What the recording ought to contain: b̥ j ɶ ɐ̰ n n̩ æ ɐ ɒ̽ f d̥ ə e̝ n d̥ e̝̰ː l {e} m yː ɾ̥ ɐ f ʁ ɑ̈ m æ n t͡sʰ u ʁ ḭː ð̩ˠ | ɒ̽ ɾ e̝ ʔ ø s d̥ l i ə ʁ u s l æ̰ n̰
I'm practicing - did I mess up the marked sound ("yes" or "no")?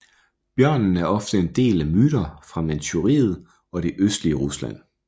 yes